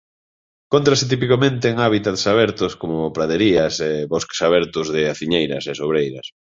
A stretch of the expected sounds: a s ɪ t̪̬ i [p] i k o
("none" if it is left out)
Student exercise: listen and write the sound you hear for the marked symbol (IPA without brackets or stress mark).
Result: p